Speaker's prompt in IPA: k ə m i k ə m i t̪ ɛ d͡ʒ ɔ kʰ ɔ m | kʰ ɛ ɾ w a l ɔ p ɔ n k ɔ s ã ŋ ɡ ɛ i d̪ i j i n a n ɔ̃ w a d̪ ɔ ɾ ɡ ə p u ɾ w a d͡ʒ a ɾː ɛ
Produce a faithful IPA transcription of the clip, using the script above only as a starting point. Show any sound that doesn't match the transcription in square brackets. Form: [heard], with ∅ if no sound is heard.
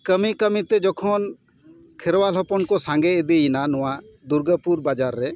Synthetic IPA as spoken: k ə m i k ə m i t̪ ɛ d͡ʒ ɔ kʰ ɔ [n] | kʰ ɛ ɾ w a l ɔ p ɔ n k ɔ s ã ŋ ɡ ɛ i d̪ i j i n a n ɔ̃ w a d̪ [u] ɾ ɡ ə p u ɾ [b] a d͡ʒ a ɾː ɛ